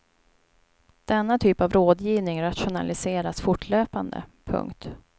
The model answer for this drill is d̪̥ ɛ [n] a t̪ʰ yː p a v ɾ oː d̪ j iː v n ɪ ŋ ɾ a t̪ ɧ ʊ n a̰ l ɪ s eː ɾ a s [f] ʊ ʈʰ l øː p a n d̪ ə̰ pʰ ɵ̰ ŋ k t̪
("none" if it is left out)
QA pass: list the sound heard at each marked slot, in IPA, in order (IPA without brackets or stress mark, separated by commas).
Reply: nː, f